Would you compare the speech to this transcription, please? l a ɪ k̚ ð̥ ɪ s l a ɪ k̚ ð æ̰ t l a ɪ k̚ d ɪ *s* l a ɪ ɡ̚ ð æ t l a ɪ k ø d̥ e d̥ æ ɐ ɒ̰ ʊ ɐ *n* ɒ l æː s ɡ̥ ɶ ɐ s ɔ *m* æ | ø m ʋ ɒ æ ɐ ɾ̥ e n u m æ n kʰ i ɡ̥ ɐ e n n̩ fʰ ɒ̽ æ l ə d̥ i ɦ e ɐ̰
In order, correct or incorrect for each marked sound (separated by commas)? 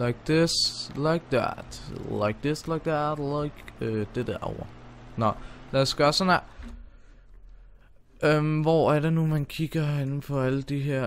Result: correct, correct, incorrect